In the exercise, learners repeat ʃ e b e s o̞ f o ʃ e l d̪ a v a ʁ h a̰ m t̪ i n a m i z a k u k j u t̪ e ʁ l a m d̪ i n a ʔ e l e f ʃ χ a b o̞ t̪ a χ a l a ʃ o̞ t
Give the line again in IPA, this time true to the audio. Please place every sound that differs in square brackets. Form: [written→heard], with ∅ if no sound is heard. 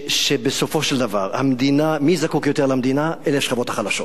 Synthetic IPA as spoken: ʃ e b e s o̞ f o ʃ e l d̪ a v a ʁ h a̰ m [t̪→d̪] i n a m i z a k u k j [u→o] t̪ e ʁ l a m d̪ i n a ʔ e l e f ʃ χ a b o̞ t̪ a χ a l a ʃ o̞ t